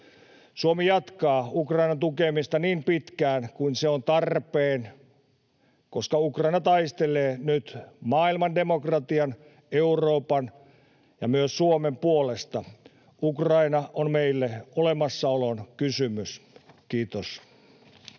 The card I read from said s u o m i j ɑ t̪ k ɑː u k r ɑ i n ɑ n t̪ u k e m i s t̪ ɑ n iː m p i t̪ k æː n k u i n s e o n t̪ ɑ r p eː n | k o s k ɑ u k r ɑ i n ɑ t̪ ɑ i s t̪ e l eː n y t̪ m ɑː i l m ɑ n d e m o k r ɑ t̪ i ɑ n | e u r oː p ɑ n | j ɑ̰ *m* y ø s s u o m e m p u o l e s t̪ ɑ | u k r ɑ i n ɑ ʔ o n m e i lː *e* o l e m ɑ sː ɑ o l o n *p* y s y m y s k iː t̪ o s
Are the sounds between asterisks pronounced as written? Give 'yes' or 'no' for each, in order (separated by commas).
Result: yes, yes, no